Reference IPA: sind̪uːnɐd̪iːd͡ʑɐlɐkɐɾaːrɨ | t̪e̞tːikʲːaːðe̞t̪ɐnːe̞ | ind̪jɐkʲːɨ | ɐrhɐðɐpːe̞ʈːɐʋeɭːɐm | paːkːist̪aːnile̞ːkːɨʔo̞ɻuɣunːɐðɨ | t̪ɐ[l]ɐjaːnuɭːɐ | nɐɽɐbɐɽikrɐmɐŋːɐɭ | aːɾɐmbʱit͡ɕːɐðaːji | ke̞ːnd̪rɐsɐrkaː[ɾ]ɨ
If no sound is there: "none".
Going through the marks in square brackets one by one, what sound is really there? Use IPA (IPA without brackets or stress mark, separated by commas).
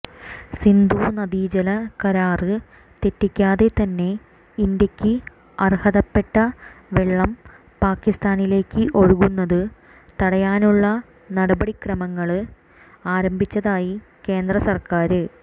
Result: ɽ, ɾ